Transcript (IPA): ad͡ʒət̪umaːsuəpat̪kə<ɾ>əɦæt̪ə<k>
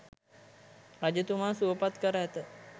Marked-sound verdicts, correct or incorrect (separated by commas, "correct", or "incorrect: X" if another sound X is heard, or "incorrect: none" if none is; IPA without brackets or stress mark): correct, incorrect: none